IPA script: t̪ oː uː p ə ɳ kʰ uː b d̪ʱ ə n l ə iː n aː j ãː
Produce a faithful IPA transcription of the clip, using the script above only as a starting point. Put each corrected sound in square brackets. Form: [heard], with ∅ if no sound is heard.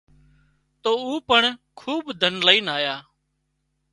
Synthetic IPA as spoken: t̪ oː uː p ə ɳ kʰ uː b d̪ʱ ə n l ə iː n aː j [aː]